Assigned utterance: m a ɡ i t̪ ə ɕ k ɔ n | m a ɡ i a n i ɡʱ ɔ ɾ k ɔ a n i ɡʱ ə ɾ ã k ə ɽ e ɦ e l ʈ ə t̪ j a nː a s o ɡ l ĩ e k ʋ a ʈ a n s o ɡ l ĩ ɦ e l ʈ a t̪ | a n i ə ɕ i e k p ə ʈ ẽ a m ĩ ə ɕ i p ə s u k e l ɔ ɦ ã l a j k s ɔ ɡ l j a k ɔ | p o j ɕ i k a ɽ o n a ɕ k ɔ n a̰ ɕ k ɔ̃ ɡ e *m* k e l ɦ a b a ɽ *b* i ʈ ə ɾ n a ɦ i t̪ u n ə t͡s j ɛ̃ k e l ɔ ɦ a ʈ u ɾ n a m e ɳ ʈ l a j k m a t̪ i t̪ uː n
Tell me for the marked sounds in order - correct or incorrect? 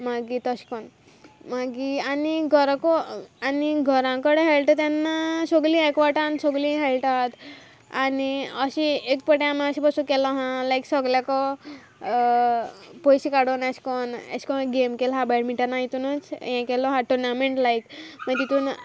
correct, incorrect: m

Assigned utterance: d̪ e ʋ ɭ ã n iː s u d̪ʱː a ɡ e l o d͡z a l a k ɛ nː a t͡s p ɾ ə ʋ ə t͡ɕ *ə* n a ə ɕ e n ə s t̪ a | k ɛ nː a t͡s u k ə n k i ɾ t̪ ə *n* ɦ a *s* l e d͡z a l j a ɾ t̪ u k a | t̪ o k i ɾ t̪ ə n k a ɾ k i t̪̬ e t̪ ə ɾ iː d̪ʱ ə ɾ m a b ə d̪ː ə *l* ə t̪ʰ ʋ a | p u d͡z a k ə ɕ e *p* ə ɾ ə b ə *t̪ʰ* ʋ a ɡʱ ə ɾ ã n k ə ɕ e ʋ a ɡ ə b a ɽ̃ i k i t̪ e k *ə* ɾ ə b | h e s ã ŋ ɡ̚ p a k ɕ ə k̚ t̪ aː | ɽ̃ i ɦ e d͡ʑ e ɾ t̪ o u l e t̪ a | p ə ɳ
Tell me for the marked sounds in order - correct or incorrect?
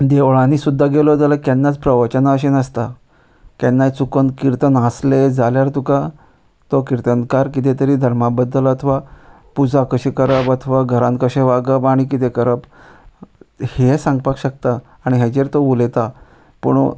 correct, correct, correct, correct, incorrect: k, correct, correct

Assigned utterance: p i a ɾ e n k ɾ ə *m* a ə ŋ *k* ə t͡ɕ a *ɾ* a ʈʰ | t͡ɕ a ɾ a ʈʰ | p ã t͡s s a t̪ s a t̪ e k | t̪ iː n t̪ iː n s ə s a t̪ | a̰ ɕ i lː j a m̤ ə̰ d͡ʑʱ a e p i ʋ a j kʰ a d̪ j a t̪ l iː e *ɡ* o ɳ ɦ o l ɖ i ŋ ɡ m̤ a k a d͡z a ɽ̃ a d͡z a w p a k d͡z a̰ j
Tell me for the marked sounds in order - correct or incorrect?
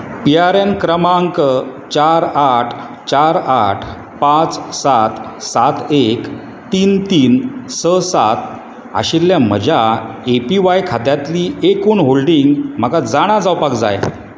correct, correct, correct, incorrect: k

